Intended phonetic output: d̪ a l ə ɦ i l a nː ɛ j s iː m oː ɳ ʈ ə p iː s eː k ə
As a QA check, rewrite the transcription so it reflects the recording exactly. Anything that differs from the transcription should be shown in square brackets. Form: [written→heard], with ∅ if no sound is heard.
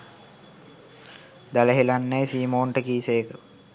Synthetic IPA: d̪ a l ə ɦ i l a nː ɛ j s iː m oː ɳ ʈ ə [p→k] iː s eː k ə